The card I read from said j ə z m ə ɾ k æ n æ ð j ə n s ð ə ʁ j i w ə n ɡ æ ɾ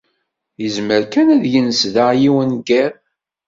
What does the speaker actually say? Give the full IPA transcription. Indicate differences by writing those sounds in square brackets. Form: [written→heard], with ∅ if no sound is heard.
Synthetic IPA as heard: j ə z m ə ɾ k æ n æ ð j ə n s ð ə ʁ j i w ə n ɡ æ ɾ